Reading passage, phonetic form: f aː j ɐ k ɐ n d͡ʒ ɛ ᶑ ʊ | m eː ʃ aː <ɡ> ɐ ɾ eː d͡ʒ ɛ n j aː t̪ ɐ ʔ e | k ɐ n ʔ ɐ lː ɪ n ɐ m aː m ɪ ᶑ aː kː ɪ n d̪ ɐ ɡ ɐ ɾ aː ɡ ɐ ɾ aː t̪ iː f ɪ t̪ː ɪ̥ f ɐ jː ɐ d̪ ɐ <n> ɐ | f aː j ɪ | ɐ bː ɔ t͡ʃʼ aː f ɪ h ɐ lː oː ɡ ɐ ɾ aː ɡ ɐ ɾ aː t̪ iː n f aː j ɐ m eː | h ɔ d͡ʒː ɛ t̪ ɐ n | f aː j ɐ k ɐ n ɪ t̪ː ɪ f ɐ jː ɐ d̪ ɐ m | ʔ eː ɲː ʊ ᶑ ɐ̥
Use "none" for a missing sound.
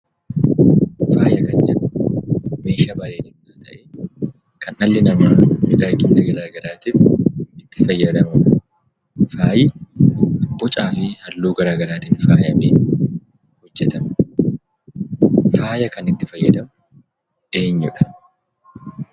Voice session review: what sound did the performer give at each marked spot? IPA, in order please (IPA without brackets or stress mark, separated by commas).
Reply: b, m